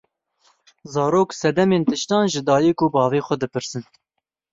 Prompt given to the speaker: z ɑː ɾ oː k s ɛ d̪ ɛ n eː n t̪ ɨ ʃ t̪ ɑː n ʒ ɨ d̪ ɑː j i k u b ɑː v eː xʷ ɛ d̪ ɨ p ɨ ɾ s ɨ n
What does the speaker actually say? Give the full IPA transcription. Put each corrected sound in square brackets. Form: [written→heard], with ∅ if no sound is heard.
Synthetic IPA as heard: z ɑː ɾ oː k s ɛ d̪ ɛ [n→m] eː n t̪ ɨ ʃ t̪ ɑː n ʒ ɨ d̪ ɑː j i k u b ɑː v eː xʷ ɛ d̪ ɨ p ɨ ɾ s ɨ n